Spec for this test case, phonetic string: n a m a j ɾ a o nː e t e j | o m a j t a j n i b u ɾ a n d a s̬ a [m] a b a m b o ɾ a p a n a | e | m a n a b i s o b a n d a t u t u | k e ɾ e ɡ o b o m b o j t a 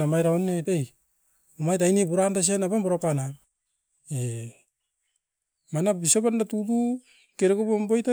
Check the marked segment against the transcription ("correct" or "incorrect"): incorrect